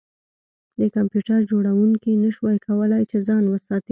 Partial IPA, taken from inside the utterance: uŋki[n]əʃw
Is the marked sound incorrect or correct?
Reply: correct